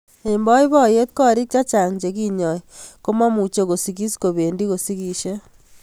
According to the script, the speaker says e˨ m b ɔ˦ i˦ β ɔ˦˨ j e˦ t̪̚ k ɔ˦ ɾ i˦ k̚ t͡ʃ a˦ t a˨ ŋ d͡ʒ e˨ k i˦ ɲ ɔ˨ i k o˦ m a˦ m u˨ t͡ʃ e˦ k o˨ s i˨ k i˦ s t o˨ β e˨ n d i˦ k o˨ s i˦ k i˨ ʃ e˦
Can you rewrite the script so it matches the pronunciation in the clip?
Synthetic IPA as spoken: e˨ m b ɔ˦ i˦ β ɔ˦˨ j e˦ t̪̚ k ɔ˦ ɾ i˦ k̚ t͡ʃ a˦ t͡ʃ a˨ ŋ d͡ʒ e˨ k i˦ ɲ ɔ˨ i k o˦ m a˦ m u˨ t͡ʃ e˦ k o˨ s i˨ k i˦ s k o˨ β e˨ n d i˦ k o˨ s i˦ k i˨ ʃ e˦